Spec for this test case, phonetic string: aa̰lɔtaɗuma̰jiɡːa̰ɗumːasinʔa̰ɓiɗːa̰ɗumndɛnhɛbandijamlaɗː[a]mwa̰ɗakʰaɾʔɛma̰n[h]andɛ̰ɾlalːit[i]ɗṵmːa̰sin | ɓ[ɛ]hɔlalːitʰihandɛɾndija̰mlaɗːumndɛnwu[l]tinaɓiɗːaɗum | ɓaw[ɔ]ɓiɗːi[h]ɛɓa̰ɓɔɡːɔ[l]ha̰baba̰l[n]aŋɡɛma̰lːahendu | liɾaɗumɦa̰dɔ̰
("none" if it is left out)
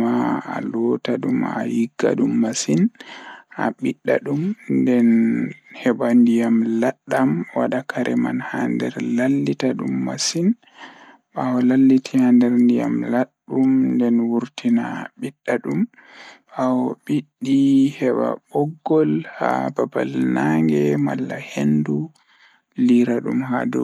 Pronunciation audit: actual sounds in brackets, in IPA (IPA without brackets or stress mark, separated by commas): a, h, a, a, ɾ, ɔ, h, l, n